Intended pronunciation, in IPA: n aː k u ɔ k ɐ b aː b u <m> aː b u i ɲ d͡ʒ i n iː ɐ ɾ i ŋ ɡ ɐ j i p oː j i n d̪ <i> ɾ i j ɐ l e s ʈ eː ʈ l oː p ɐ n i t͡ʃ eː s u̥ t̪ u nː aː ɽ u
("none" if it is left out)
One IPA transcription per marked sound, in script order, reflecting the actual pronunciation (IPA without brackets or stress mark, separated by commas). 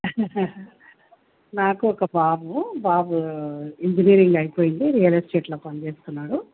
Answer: b, i